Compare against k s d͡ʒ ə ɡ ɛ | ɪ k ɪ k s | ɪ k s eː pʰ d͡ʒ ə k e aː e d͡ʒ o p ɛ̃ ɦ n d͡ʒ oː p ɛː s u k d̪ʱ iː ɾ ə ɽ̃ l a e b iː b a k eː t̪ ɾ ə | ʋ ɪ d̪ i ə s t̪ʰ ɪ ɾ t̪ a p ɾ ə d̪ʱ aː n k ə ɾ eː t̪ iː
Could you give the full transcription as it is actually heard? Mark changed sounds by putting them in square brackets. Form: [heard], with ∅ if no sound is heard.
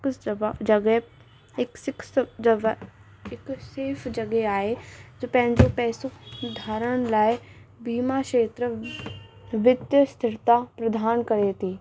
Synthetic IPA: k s d͡ʒ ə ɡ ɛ | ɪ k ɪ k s | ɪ k s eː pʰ d͡ʒ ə [ɡ] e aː e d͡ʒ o p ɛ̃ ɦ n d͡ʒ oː p ɛː s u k d̪ʱ [aː] ɾ ə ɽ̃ l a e b iː [m] a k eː t̪ ɾ ə | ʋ ɪ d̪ [j] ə s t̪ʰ ɪ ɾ t̪ a p ɾ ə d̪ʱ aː n k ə ɾ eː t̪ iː

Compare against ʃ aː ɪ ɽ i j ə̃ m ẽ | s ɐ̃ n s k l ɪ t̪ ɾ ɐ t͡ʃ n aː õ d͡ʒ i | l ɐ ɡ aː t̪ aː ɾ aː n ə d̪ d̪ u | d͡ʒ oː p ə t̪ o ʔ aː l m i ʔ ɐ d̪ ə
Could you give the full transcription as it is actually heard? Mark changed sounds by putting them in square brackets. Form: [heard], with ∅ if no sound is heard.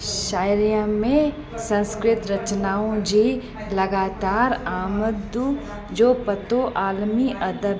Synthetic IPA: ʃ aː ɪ [ɾ] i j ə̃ m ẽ | s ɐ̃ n s k [ɾ] ɪ t̪ ɾ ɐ t͡ʃ n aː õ d͡ʒ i | l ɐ ɡ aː t̪ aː ɾ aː [m] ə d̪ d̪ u | d͡ʒ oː p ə t̪ o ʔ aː l m i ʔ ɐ d̪ ə

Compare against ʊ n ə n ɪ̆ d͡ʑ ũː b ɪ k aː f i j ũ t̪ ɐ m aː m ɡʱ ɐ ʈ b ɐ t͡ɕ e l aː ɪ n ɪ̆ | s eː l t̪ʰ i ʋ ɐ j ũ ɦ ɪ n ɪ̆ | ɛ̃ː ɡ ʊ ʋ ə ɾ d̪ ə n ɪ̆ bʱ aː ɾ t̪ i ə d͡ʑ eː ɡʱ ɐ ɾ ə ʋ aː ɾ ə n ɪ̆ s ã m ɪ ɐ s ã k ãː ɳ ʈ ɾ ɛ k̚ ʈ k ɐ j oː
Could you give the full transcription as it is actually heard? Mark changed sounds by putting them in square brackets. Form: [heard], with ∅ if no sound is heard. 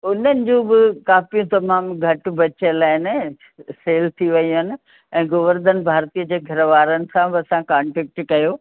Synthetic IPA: ʊ n ə n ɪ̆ d͡ʑ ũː b ɪ k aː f i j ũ t̪ ɐ m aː m ɡʱ ɐ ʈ b ɐ t͡ɕ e l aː ɪ n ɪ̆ | s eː l t̪ʰ i ʋ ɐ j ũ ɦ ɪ n ɪ̆ | ɛ̃ː ɡ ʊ ʋ ə ɾ d̪ ə n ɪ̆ bʱ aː ɾ t̪ i ə d͡ʑ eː ɡʱ ɐ ɾ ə ʋ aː ɾ ə n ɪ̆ s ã [b] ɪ ɐ s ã k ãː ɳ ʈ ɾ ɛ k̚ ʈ k ɐ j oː

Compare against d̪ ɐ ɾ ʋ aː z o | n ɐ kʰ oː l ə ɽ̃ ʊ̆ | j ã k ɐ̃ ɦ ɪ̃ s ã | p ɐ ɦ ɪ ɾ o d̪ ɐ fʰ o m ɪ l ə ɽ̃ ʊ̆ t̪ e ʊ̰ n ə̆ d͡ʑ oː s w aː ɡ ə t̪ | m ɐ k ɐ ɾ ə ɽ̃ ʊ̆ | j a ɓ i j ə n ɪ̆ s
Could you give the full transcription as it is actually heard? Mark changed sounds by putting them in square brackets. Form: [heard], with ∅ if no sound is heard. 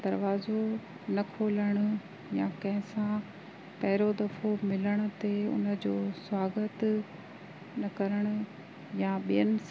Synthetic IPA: d̪ ɐ ɾ ʋ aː z o | n ɐ kʰ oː l ə ɽ̃ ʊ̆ | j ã k ɐ̃ ɦ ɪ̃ s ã | p ɐ ɦ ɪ ɾ o d̪ ɐ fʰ o m ɪ l ə ɽ̃ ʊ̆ t̪ e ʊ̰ n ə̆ d͡ʑ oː s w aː ɡ ə t̪ | [n] ɐ k ɐ ɾ ə ɽ̃ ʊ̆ | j a ɓ i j ə n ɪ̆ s

